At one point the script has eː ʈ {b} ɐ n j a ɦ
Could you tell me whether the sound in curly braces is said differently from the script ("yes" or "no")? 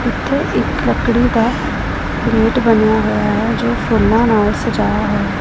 no